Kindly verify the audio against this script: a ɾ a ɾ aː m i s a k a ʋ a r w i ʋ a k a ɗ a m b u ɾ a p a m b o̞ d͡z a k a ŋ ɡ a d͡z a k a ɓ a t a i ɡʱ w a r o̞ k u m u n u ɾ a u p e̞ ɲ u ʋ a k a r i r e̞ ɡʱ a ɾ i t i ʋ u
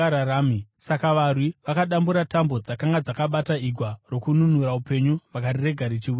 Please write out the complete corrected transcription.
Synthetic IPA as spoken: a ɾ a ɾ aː m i s a k a ʋ a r w i ʋ a k a ɗ a m b u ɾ a t a m b o̞ d͡z a k a ŋ ɡ a d͡z a k a ɓ a t a i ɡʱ w a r o̞ k u n u n u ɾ a u p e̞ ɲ u ʋ a k a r i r e̞ ɡʱ a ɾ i t͡ʃ i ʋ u